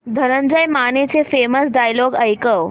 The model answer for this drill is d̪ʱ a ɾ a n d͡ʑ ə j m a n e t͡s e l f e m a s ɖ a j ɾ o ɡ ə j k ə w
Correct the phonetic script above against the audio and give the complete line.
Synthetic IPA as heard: d̪ʱ ə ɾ ə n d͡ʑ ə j m a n e t͡s e f e m ə s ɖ a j l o ɡ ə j k ə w